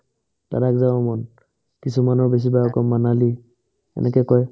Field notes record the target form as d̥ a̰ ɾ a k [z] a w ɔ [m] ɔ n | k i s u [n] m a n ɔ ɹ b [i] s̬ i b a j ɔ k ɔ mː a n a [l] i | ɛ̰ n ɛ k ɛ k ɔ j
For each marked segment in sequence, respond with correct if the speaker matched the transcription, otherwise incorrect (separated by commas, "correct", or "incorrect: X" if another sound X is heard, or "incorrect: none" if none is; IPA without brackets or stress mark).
correct, correct, incorrect: none, incorrect: e, correct